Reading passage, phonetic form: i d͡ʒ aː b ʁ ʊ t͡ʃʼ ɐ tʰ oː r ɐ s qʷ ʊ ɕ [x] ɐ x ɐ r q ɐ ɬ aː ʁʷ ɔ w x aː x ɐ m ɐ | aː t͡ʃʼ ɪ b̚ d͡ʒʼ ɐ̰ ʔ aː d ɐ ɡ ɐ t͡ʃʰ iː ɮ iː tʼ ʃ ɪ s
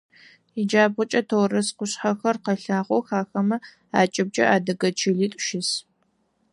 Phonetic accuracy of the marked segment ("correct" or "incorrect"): incorrect